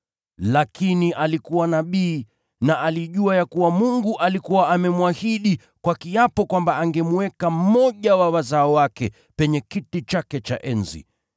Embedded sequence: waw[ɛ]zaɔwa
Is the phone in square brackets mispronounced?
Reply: yes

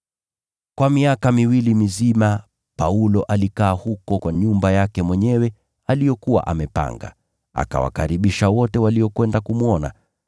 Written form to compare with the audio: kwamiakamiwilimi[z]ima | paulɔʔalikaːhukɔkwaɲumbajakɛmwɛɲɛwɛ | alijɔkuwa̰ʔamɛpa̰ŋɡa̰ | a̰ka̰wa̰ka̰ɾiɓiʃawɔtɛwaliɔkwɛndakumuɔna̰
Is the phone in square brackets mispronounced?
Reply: no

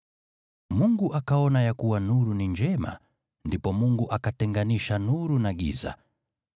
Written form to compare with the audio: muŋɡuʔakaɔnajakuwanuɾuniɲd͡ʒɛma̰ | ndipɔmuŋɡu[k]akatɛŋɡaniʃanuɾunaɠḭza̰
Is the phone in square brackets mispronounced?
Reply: yes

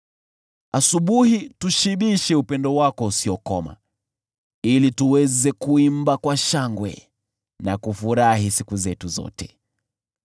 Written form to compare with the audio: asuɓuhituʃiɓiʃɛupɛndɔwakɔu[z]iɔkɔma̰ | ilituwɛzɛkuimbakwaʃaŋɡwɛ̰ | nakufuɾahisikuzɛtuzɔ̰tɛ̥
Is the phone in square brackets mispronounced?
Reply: yes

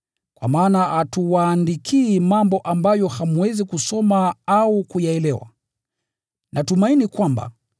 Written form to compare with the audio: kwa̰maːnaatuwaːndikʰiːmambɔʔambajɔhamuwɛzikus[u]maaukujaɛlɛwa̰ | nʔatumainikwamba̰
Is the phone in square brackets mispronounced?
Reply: yes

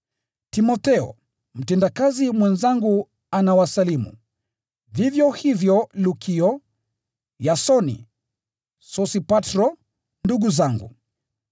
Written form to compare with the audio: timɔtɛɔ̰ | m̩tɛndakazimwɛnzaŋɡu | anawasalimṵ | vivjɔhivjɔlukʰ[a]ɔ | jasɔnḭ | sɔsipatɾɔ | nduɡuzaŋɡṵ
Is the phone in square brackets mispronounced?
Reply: yes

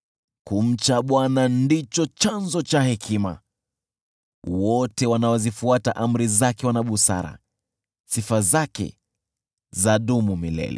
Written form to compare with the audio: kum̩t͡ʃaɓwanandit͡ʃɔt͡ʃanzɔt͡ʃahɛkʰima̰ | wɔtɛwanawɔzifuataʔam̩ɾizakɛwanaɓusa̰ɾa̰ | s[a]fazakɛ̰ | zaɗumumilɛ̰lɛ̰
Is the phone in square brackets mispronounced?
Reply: yes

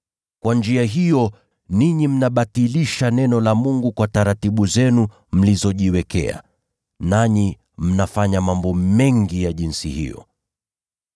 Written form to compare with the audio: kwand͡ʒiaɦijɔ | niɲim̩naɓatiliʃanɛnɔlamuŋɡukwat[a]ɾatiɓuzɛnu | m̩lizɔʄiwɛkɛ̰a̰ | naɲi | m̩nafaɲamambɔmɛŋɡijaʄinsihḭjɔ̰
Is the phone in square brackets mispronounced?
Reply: no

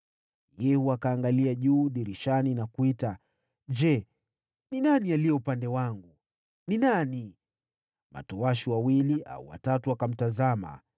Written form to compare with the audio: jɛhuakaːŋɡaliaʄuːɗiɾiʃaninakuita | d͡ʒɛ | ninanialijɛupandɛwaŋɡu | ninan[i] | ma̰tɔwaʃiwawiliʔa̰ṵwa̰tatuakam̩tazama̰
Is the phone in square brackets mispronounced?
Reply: no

